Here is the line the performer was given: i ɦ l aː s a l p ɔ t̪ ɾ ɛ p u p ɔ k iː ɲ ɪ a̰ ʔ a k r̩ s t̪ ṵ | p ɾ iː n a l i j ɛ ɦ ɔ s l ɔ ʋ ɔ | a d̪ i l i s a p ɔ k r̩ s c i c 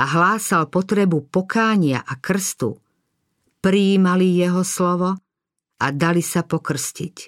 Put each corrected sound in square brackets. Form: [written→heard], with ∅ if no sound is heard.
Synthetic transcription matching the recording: [i→a] ɦ l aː s a l p ɔ t̪ ɾ ɛ [p→b] u p ɔ k [iː→aː] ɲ ɪ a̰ ʔ a k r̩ s t̪ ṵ | p ɾ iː [n→m] a l i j ɛ ɦ ɔ s l ɔ ʋ ɔ | a d̪ [i→a] l i s a p ɔ k r̩ s c i c